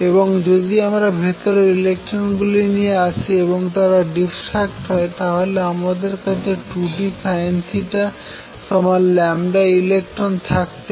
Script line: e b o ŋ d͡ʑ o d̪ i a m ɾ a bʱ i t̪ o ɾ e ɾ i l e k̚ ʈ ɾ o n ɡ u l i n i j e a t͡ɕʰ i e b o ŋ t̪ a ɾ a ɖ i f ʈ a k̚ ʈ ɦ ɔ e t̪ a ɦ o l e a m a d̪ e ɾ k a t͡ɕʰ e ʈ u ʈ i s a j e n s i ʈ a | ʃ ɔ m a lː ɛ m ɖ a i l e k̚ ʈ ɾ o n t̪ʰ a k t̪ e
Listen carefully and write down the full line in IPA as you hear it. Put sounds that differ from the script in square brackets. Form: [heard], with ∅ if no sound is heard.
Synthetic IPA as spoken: e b o ŋ d͡ʑ o d̪ i a m ɾ a bʱ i t̪ o ɾ e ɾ i l e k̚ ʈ ɾ o n ɡ u l i n i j e a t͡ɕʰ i e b o ŋ t̪ a ɾ a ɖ i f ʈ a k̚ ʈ ɦ ɔ e t̪ a ɦ o l e a m a d̪ e ɾ k a t͡ɕʰ e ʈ u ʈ i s a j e n s i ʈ a | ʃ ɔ m a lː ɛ m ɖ a i l e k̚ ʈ ɾ o n t̪ʰ a k t̪ e